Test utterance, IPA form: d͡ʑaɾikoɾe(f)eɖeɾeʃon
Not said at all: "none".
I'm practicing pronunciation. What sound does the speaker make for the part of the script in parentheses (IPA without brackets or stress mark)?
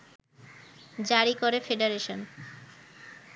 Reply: f